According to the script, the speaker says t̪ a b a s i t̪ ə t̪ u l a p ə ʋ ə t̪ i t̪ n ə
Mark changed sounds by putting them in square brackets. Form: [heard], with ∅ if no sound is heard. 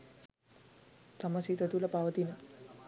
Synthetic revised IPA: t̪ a [m] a s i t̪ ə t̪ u l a p [a] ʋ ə t̪ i [∅] n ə